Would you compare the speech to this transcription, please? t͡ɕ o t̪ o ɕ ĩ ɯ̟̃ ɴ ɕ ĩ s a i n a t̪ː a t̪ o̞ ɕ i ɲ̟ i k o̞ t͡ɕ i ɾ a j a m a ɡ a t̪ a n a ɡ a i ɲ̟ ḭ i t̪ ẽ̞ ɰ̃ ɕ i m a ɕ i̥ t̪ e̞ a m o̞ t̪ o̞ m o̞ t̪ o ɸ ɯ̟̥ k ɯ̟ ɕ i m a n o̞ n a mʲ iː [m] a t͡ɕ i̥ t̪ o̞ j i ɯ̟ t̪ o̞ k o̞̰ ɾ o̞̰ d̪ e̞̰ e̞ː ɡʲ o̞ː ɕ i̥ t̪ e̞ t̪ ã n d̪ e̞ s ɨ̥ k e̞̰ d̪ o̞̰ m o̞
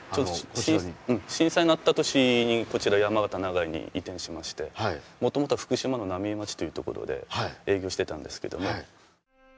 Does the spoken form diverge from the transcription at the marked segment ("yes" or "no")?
no